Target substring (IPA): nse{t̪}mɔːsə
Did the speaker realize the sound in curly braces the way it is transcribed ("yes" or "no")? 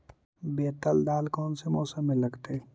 no